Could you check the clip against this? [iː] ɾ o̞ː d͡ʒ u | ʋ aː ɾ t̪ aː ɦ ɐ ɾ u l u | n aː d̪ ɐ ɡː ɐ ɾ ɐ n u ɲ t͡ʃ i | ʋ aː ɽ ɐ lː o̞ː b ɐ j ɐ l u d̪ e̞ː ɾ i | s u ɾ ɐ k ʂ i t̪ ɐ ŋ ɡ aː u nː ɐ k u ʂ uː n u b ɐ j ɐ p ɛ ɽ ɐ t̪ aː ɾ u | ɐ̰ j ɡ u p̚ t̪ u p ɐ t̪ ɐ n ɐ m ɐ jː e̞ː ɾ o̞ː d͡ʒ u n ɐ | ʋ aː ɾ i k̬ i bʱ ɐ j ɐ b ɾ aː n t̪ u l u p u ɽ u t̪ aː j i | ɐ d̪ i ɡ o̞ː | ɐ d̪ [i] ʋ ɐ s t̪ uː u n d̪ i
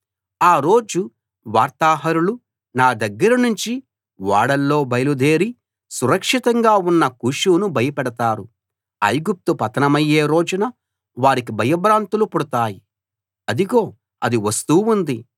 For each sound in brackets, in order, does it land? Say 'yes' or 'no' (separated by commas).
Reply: no, yes